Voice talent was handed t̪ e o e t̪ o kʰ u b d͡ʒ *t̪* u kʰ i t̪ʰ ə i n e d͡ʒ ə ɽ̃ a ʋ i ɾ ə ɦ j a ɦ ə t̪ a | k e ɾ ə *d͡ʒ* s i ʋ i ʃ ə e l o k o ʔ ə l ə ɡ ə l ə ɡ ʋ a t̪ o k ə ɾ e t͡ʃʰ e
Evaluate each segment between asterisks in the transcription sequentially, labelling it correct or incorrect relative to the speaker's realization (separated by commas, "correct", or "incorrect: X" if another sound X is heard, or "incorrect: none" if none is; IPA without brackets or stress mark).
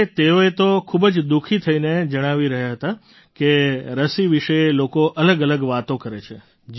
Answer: incorrect: d̪, incorrect: none